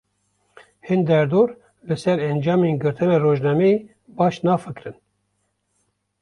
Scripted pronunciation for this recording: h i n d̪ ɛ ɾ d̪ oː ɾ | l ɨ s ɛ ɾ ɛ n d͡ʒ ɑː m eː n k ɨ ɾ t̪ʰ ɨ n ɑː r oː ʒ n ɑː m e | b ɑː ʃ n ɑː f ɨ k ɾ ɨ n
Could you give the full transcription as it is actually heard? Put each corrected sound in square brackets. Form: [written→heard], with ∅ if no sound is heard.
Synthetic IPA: h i n d̪ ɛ ɾ d̪ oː ɾ | l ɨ s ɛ ɾ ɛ n d͡ʒ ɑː m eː n [k→ɡ] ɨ ɾ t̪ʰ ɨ n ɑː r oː ʒ n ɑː m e | b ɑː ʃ n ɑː f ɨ k ɾ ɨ n